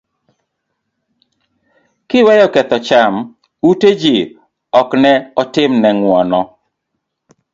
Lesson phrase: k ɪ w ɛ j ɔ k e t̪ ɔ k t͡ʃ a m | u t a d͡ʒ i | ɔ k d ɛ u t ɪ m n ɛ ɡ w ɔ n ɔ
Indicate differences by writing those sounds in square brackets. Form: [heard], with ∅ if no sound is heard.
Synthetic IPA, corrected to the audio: k ɪ w ɛ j ɔ k [ɛ] t̪ ɔ [∅] t͡ʃ a m | u t [e] d͡ʒ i | ɔ k [n] ɛ [ɔ] t ɪ m n ɛ [ŋ] w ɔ n ɔ

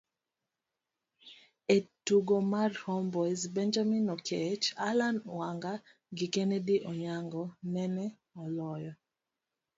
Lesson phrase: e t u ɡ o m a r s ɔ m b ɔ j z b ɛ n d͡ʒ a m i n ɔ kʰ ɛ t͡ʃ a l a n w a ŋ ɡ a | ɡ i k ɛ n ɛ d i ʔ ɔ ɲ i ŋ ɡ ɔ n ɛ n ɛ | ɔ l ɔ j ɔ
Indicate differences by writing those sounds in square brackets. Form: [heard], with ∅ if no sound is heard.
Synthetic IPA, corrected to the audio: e t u ɡ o m a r [h] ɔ m b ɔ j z b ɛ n d͡ʒ a m i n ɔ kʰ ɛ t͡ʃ a l a n w a ŋ ɡ a | ɡ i k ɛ n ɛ d i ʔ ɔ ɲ [a] ŋ ɡ ɔ n ɛ n ɛ | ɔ l ɔ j ɔ

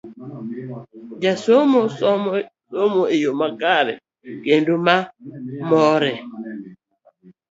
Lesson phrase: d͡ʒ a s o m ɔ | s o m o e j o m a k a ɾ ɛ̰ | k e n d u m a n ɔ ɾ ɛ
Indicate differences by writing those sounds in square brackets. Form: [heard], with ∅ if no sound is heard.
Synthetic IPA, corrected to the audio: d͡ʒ a s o m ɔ | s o m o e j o m a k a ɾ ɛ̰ | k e n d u m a [m] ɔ ɾ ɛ

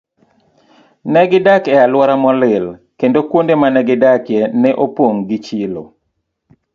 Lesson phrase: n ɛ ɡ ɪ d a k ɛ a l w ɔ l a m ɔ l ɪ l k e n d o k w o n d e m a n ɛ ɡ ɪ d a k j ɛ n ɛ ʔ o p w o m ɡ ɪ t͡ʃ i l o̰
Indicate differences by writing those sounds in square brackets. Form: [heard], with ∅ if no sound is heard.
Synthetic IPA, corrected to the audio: n ɛ ɡ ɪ d a k ɛ a l w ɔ [ɾ] a m ɔ l ɪ l k e n d o k w o n d e m a n ɛ ɡ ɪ d a k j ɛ n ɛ ʔ o p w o [ŋ] ɡ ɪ t͡ʃ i l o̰

